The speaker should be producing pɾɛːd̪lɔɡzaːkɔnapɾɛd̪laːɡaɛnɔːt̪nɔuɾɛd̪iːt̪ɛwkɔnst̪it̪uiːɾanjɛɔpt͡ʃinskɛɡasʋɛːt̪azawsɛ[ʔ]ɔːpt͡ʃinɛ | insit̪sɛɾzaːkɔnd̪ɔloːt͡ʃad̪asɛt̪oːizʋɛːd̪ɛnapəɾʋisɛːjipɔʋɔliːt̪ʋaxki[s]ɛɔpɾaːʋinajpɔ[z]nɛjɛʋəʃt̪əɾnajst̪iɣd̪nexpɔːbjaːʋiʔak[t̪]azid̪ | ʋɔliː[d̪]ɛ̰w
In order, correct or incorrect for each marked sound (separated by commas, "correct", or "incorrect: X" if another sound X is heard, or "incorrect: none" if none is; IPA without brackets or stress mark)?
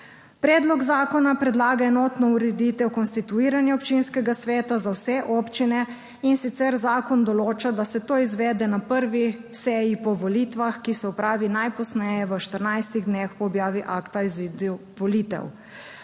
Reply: correct, correct, incorrect: s, correct, incorrect: t̪